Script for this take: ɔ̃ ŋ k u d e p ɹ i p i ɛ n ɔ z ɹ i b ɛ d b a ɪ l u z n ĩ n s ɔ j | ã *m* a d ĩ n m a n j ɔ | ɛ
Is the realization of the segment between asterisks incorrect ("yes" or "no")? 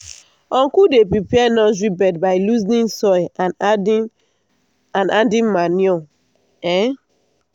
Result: yes